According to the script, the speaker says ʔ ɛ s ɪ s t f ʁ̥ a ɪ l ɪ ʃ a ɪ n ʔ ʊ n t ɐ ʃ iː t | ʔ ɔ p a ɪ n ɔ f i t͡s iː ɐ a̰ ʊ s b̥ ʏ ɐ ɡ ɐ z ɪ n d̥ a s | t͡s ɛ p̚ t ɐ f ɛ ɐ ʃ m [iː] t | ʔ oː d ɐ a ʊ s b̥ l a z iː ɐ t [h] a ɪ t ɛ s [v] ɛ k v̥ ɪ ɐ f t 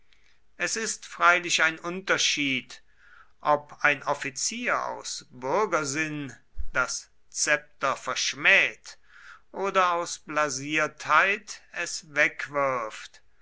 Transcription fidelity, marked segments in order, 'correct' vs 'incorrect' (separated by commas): incorrect, correct, correct